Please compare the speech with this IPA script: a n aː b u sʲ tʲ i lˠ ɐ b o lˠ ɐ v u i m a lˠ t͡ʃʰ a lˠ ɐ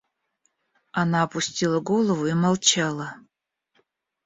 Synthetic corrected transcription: a n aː p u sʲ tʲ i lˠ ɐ ɡ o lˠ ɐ v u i m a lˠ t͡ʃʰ a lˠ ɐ